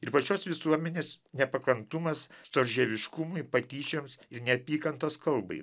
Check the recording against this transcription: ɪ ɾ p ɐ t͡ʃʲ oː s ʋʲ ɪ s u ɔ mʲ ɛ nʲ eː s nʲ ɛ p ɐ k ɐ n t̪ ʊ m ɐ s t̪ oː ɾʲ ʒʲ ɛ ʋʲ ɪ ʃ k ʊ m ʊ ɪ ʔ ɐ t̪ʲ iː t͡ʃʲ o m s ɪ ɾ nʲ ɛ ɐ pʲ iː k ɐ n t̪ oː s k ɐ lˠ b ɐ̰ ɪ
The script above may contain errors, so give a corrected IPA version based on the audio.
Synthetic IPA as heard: ɪ ɾ p ɐ t͡ʃʲ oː s ʋʲ ɪ s u ɔ mʲ ɛ nʲ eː s nʲ ɛ p ɐ k ɐ n t̪ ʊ m ɐ s t̪ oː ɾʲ ʒʲ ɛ ʋʲ ɪ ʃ k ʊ m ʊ ɪ p ɐ t̪ʲ iː t͡ʃʲ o m s ɪ ɾ nʲ ɛ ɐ pʲ iː k ɐ n t̪ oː s k ɐ lˠ b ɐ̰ ɪ